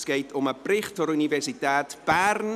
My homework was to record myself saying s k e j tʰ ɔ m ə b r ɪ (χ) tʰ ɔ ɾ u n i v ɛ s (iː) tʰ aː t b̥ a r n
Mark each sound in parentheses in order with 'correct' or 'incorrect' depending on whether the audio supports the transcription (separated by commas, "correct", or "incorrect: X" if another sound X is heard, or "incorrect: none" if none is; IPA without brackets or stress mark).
correct, incorrect: i